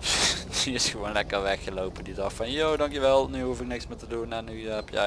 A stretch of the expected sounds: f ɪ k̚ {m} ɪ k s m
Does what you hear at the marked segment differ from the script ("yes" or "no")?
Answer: yes